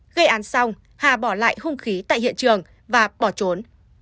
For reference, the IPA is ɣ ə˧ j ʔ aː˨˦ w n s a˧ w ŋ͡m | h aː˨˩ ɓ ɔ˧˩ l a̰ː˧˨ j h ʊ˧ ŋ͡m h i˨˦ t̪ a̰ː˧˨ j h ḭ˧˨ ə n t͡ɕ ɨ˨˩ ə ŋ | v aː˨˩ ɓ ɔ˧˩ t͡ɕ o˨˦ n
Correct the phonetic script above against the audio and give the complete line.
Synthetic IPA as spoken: ɣ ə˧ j ʔ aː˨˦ n s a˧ w ŋ͡m | h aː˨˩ ɓ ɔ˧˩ l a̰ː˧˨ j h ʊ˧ ŋ͡m x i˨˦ t̪ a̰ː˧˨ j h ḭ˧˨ ə n t͡ɕ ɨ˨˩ ə ŋ | v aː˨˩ ɓ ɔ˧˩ t͡ɕ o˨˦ n